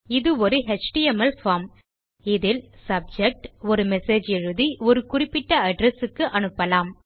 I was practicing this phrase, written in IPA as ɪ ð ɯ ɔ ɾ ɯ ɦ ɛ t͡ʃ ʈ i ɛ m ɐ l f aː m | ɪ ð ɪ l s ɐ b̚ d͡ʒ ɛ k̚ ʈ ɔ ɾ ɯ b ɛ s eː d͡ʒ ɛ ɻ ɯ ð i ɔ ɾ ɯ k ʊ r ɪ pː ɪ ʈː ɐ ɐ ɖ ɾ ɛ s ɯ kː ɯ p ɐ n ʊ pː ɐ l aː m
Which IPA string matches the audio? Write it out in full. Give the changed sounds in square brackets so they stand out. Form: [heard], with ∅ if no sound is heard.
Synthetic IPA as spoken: ɪ ð ɯ ɔ ɾ ɯ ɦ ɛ t͡ʃ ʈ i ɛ m ɐ l f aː m | ɪ ð ɪ l s ɐ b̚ d͡ʒ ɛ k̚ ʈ ɔ ɾ ɯ [m] ɛ s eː d͡ʒ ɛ ɻ ɯ ð i ɔ ɾ ɯ k ʊ r ɪ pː ɪ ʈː ɐ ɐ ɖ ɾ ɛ s ɯ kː ɯ [ʔ] ɐ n [ɯ] pː ɐ l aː m

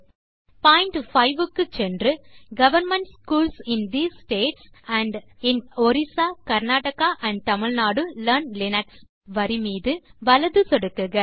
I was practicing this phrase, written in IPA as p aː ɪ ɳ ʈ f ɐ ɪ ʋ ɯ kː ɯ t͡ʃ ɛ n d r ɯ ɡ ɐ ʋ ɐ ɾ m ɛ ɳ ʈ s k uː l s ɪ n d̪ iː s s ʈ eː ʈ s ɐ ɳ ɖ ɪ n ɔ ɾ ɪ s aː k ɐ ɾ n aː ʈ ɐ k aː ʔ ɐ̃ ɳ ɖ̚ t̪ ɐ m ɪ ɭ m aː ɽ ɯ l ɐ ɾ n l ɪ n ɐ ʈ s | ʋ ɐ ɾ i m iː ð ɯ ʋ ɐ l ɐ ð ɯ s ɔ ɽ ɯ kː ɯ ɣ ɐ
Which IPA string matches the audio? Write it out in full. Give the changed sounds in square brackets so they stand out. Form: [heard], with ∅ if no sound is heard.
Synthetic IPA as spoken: p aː ɪ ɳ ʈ f ɐ ɪ ʋ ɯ kː ɯ t͡ʃ ɛ n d r ɯ ɡ ɐ ʋ ɐ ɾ m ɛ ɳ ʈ s k uː l s ɪ n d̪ iː s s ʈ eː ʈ s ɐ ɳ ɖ ɪ n ɔ ɾ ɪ s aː k ɐ ɾ n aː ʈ ɐ k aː ʔ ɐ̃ ɳ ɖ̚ t̪ ɐ m ɪ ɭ [n] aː ɽ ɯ l ɐ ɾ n l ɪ n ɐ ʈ s | ʋ ɐ ɾ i m iː ð ɯ ʋ ɐ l ɐ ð ɯ s ɔ ɽ ɯ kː ɯ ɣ ɐ

